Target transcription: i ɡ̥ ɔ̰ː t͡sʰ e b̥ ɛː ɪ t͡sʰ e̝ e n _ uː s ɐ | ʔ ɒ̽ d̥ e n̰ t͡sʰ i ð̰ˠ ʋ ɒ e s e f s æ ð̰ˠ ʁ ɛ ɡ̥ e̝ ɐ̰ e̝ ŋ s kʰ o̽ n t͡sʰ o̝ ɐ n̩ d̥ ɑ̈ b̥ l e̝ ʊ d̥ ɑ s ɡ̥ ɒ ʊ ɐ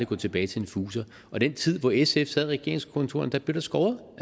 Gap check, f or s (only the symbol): f